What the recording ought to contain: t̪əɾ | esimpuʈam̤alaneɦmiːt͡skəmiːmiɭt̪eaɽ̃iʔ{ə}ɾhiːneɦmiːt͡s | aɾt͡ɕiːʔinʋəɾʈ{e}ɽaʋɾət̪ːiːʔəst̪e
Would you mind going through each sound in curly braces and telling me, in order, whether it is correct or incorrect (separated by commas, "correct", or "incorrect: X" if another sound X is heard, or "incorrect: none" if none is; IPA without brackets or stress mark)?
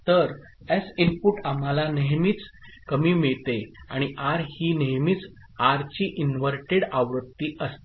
incorrect: a, correct